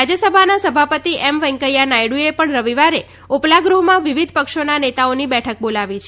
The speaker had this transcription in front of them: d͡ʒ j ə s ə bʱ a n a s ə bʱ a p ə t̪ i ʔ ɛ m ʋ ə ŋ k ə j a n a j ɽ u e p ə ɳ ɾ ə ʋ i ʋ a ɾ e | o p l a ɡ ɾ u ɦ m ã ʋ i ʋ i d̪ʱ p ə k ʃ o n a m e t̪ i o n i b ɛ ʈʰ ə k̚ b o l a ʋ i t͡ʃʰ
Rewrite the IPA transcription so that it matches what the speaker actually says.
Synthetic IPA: d͡ʒ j ə s ə bʱ a n a s ə bʱ a p ə t̪ i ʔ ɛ m ʋ ə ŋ k ə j a n a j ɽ u e p ə ɳ ɾ ə ʋ i ʋ a ɾ e | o p l a ɡ ɾ u ɦ m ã ʋ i ʋ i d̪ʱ p ə k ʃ o n a n e t̪ a o n i b ɛ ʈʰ ə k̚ b o l a ʋ i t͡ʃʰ